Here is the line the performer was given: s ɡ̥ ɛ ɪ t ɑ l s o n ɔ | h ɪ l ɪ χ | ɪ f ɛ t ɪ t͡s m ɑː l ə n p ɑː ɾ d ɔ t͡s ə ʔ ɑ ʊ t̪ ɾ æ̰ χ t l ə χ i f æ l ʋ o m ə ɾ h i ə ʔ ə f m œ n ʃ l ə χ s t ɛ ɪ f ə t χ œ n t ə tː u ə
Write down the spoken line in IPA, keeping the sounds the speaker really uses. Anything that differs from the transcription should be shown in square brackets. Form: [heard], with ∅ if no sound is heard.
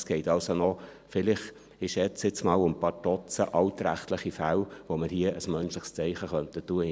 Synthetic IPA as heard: s ɡ̥ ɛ ɪ t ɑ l s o n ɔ | [f] ɪ l ɪ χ | ɪ [ʃ] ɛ [t͡s] ɪ t͡s m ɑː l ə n p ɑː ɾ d ɔ t͡s ə ʔ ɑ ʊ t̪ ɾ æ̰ χ t l ə χ i f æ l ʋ o m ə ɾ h i ə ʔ ə [s] m œ n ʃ l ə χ s [t͡s] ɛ ɪ [χ] ə [∅] χ œ n t ə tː u ə